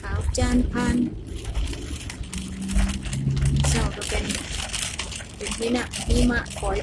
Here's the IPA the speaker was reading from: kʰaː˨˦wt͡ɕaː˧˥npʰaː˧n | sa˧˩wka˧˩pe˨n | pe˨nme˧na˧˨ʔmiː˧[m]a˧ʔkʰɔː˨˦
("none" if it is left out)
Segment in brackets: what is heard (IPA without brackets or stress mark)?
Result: m